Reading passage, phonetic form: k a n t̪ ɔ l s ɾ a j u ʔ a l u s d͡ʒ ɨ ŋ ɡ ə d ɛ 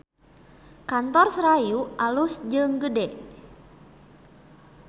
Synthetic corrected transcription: k a n t̪ ɔ r s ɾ a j u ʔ a l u s d͡ʒ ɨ ŋ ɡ ə d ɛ